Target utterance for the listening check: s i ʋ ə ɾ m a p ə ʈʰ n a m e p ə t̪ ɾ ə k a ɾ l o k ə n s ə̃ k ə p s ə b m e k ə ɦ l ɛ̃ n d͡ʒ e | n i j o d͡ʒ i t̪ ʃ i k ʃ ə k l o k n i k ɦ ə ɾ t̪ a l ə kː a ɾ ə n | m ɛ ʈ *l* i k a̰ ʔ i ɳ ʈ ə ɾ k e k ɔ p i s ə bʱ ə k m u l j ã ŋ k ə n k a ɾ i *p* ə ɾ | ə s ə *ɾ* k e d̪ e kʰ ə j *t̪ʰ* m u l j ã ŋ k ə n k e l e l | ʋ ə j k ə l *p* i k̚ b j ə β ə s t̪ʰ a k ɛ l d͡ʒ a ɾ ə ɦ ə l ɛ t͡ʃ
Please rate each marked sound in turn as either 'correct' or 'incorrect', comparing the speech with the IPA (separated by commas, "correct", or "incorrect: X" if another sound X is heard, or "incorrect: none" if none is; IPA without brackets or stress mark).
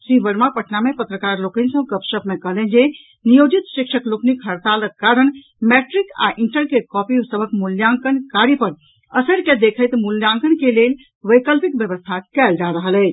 incorrect: ɾ, correct, correct, incorrect: t̪, correct